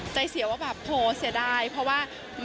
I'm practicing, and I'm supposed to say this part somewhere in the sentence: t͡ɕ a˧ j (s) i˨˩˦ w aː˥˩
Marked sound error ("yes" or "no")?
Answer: no